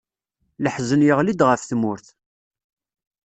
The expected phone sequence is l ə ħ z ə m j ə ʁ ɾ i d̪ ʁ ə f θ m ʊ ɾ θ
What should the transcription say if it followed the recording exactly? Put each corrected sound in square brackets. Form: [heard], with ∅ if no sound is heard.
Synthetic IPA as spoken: l ə ħ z ə [n] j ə ʁ [l] i d̪ ʁ ə f θ m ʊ ɾ θ